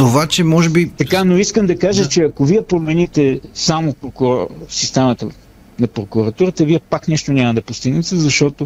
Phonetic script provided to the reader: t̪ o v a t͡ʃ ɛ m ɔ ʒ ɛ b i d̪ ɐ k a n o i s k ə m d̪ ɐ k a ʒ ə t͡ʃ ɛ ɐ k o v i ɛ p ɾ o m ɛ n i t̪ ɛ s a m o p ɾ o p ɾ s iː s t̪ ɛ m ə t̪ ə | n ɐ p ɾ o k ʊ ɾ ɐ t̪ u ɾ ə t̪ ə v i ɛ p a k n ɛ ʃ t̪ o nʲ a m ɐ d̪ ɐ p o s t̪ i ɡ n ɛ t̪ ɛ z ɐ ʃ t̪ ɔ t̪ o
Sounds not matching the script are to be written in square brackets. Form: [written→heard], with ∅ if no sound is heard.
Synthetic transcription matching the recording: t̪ o v a t͡ʃ ɛ m ɔ ʒ ɛ b i [d̪→t̪] ɐ k a n o i s k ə m d̪ ɐ k a ʒ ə t͡ʃ ɛ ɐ k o v i ɛ p ɾ o m ɛ n i t̪ ɛ s a m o p ɾ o [p→k] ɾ s [iː→i] s t̪ ɛ m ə t̪ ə | n ɐ p ɾ o k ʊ ɾ ɐ t̪ u ɾ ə t̪ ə v i ɛ p a k n ɛ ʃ t̪ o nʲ a m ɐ d̪ ɐ p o s t̪ i ɡ n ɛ t̪ ɛ z ɐ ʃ t̪ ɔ t̪ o